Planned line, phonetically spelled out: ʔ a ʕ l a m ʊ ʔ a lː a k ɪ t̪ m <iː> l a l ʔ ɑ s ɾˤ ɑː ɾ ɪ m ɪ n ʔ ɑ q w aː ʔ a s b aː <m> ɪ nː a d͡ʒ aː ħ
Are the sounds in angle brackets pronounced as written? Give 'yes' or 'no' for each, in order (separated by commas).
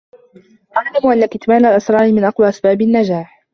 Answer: no, no